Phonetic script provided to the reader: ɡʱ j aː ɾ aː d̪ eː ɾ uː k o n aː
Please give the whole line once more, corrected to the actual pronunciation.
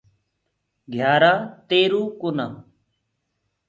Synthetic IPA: ɡʱ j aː ɾ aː t̪ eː ɾ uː k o n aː